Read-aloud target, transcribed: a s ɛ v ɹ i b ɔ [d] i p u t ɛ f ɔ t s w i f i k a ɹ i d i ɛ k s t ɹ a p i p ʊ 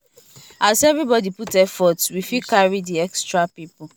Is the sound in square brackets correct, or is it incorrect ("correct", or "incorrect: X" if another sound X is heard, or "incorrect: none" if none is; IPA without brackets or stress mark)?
correct